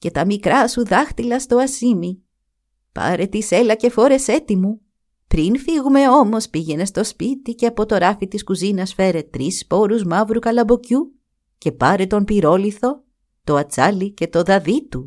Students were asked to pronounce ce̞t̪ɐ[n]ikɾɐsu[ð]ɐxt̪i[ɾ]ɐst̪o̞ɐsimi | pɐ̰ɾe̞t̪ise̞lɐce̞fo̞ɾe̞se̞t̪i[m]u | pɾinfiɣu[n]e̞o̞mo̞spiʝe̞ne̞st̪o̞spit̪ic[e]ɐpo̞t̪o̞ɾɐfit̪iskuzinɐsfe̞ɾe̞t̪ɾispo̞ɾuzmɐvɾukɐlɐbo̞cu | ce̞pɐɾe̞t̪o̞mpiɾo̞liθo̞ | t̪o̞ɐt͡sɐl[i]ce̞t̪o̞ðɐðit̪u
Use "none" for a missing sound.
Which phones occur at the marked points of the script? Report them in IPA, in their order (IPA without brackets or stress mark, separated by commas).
m, ð, l, m, m, e, i